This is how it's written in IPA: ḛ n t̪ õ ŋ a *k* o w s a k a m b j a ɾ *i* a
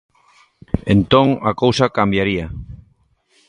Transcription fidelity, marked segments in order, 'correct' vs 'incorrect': correct, correct

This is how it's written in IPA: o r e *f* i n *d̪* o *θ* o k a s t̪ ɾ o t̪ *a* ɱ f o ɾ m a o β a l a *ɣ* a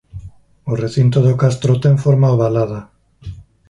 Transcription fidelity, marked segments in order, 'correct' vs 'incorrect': incorrect, incorrect, incorrect, incorrect, incorrect

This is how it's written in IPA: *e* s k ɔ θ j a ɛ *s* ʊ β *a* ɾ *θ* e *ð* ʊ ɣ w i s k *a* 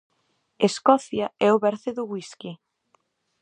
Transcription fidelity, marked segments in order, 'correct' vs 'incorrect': correct, incorrect, incorrect, correct, correct, incorrect

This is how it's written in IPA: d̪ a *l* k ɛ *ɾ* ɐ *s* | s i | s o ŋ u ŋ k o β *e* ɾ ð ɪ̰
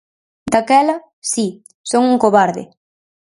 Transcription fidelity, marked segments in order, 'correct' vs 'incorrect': incorrect, incorrect, incorrect, incorrect

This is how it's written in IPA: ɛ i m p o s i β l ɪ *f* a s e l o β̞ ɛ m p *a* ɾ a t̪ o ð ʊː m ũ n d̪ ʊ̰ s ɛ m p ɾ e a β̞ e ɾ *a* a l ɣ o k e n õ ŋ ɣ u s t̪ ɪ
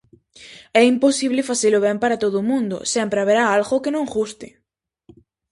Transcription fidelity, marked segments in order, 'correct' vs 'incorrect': correct, correct, correct

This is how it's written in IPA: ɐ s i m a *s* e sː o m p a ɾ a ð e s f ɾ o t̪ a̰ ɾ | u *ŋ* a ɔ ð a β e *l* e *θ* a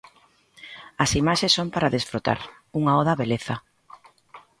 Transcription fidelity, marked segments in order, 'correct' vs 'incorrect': incorrect, correct, correct, correct

